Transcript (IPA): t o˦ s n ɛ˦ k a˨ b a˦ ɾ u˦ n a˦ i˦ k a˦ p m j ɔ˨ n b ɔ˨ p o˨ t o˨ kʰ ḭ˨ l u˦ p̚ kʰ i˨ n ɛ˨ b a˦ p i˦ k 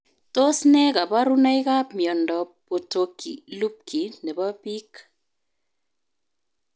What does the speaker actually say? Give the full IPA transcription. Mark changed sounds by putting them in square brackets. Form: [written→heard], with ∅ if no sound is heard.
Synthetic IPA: t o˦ s n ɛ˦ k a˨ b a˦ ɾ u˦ n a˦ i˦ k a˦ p m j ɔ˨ n [b→d] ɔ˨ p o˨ t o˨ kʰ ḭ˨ l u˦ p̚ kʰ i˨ n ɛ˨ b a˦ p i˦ k

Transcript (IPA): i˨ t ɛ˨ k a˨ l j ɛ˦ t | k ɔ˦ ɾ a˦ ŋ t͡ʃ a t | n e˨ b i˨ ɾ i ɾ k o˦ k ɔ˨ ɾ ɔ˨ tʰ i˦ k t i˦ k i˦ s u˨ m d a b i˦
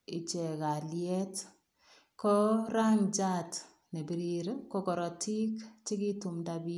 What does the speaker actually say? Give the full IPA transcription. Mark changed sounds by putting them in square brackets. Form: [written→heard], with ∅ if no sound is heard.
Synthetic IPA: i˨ [t→t͡ʃ] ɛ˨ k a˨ l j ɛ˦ t | k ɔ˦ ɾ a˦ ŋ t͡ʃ a t | n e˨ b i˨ ɾ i ɾ k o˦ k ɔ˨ ɾ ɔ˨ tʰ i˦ k [t→t͡ʃ] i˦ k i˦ [s→t] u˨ m d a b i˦

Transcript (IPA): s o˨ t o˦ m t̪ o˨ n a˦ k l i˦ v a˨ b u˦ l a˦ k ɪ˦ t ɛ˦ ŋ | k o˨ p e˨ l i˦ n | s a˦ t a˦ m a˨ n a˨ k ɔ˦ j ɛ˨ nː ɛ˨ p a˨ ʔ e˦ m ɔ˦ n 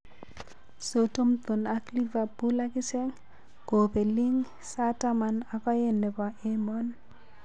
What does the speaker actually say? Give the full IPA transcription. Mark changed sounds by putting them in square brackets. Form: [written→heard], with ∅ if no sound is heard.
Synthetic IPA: s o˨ t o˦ m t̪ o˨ n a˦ k l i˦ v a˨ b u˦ l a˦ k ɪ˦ [t→s] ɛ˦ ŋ | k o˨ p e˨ l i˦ [n→ŋ] | s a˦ t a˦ m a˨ n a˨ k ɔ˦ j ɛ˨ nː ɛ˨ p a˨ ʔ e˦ m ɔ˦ n

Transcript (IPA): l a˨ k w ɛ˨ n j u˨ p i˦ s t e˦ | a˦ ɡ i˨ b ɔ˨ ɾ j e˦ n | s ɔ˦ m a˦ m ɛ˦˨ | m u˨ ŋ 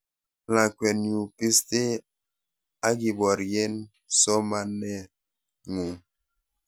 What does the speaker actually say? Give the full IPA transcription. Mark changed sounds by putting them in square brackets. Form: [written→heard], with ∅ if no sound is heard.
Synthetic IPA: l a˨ k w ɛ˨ n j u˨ p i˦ s t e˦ | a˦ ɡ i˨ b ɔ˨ ɾ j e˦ n | s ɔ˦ m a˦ [m→n] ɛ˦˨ | [m→ŋ] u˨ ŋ

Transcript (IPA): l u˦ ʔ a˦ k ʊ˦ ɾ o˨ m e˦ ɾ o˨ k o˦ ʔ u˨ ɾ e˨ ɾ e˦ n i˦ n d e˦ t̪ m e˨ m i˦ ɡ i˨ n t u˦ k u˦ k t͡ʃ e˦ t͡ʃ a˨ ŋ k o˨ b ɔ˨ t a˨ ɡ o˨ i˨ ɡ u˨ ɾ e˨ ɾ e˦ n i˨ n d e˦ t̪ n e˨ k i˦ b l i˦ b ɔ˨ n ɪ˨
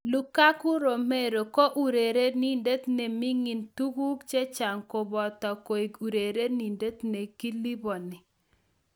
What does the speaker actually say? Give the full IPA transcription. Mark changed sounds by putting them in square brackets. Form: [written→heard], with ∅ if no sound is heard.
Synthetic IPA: l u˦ [ʔ→k] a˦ k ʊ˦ ɾ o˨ m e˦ ɾ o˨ k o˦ ʔ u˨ ɾ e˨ ɾ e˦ n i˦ n d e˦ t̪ [m→n] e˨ m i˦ [ɡ→ŋ] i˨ n t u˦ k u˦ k t͡ʃ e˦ t͡ʃ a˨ ŋ k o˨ b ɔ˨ t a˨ [ɡ→k] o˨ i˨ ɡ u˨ ɾ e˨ ɾ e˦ n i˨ n d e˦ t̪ n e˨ k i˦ [b→∅] l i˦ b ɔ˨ n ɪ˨

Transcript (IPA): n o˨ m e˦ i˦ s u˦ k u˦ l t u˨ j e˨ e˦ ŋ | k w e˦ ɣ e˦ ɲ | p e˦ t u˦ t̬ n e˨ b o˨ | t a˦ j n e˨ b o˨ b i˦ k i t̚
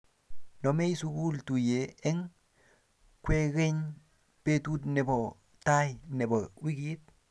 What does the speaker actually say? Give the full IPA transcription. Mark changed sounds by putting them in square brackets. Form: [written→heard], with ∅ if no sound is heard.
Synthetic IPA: n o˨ m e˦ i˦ s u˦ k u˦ l t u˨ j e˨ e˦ ŋ | k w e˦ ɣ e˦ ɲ | p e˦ t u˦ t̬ n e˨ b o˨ | t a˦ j n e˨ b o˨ [b→w] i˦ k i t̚

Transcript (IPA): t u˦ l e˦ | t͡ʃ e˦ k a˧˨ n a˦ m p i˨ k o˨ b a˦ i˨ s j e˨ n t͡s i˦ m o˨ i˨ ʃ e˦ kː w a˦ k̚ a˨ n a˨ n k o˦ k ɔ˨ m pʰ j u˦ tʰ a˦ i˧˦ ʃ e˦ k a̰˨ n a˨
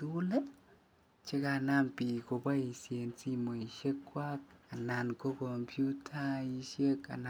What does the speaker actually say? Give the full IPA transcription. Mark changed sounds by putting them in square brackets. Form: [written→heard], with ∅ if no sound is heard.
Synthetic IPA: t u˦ l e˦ | t͡ʃ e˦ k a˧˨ n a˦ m p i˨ k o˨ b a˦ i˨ s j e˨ n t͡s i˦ m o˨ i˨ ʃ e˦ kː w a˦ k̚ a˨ n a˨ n k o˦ k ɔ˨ m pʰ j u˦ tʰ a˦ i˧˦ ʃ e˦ k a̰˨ n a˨

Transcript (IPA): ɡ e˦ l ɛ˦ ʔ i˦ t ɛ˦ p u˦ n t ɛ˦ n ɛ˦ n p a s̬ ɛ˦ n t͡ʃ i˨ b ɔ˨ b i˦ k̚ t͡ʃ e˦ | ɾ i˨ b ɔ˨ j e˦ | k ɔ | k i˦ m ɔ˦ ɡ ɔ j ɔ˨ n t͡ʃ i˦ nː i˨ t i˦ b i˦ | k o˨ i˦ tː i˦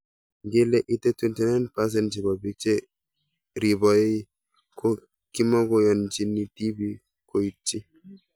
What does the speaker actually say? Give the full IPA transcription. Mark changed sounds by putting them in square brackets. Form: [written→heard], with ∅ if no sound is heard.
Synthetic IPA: ɡ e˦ l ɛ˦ ʔ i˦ t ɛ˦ [p→t] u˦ n t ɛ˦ n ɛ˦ n p a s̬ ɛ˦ n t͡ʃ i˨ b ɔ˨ b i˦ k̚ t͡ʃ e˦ | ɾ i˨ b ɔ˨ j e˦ | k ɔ | k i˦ m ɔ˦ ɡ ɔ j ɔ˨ n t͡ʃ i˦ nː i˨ t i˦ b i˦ | k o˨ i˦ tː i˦

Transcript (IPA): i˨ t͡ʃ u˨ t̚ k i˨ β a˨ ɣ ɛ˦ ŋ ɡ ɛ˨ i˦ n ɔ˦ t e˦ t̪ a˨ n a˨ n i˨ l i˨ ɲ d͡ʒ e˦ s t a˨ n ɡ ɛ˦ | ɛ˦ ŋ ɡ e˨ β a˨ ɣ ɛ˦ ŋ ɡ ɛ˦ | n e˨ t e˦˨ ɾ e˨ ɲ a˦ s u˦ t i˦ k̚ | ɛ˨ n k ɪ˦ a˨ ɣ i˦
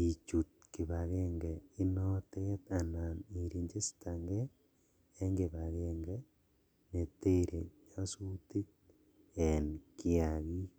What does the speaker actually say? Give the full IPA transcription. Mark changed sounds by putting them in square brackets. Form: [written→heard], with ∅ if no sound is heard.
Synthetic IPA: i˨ t͡ʃ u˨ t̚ k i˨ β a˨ ɣ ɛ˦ ŋ ɡ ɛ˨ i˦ n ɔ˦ t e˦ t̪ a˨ n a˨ n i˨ [l→ɾ] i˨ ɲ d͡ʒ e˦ s t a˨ [n→ŋ] ɡ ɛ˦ | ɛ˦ ŋ ɡ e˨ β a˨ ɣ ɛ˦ ŋ ɡ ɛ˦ | n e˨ t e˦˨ ɾ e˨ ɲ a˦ s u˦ t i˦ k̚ | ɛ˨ n k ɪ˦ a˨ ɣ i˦

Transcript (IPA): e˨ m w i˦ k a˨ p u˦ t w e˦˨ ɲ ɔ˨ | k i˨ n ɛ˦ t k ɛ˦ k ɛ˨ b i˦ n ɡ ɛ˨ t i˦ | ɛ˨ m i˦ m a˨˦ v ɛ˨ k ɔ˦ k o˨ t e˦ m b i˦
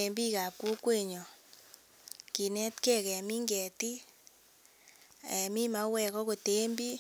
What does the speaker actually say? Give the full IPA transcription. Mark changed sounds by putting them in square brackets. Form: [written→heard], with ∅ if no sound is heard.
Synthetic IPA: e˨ m [w→b] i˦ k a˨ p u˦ [t→k] w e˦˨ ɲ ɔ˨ | k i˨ n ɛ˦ t k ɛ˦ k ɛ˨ [b→m] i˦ [n→ŋ] ɡ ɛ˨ t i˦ | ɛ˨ m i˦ m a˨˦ [v→w] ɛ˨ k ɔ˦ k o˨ t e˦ m b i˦

